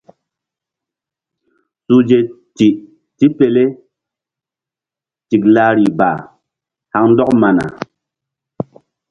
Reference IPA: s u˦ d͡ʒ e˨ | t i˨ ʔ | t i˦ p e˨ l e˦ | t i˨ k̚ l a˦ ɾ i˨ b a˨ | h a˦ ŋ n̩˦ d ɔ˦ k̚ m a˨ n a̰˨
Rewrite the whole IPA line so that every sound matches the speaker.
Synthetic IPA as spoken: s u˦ d͡ʒ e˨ | t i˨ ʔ | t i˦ p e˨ l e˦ | t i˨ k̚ l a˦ ɾ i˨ b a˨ | h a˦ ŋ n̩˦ d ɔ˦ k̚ m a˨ n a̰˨